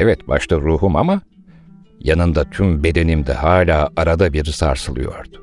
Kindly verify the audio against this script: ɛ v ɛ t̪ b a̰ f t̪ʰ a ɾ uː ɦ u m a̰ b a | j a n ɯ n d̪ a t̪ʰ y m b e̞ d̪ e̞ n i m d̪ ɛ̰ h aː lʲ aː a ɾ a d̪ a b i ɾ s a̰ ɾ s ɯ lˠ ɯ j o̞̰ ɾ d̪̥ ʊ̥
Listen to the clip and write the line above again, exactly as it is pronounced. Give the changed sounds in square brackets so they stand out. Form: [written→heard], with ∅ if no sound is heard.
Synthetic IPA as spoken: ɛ v ɛ t̪ b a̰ [f→ʃ] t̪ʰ a ɾ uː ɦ u m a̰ [b→m] a | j a n ɯ n d̪ a t̪ʰ y m b e̞ d̪ e̞ n i m d̪ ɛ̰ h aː lʲ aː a ɾ a d̪ a b i ɾ s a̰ ɾ s ɯ lˠ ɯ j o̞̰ ɾ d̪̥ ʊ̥